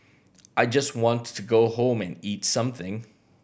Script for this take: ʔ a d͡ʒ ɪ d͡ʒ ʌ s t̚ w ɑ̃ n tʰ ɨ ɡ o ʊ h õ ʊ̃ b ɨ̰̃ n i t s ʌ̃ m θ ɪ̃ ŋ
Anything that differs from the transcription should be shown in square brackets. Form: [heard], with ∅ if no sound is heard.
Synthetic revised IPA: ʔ a [∅] ɪ d͡ʒ ʌ s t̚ w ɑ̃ n tʰ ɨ ɡ o ʊ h õ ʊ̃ [m] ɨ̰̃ n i t s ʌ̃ m θ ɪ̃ ŋ